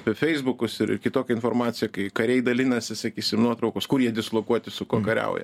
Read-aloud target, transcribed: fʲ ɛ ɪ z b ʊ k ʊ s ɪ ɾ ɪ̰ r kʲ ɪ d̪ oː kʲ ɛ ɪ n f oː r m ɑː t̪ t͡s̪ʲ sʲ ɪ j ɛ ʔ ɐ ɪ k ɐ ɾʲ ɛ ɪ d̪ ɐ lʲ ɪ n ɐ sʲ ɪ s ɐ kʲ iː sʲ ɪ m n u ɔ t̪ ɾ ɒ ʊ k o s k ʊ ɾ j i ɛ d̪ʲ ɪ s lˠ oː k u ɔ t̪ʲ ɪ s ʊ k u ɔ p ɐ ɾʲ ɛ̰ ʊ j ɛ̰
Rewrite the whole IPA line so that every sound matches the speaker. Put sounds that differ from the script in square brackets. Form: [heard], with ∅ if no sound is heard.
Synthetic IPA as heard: fʲ ɛ ɪ z b ʊ k ʊ s ɪ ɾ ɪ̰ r kʲ ɪ [t̪] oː kʲ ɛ ɪ n f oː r m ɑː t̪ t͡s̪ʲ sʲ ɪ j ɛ [k] ɐ ɪ k ɐ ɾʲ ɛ ɪ d̪ ɐ lʲ ɪ n ɐ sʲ ɪ s ɐ kʲ iː sʲ ɪ m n u ɔ t̪ ɾ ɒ ʊ k o s k ʊ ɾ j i ɛ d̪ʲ ɪ s lˠ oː k u ɔ t̪ʲ ɪ s ʊ k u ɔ [k] ɐ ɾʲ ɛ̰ ʊ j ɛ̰